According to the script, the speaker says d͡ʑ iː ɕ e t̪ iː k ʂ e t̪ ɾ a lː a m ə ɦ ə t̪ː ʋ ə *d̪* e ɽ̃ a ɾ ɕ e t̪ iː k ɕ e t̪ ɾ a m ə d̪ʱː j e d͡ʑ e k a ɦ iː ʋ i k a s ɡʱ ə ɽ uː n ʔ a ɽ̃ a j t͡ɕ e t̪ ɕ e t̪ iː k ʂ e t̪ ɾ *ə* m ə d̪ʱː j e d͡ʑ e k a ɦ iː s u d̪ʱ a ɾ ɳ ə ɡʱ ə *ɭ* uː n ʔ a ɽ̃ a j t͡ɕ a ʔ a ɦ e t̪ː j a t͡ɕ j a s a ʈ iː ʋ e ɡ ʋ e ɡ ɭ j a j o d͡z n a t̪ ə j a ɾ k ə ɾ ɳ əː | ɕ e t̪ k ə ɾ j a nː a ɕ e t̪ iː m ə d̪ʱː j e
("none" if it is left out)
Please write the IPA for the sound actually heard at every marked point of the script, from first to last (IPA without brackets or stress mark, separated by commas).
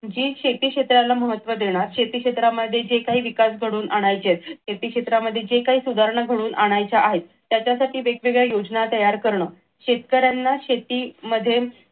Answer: d̪, a, ɽ